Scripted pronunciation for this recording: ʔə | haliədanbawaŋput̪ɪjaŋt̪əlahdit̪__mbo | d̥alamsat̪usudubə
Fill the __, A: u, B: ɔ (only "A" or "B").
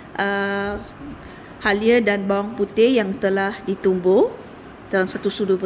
A